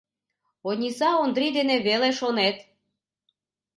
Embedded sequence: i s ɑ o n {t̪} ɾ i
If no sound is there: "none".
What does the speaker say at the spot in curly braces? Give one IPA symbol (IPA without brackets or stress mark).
d̪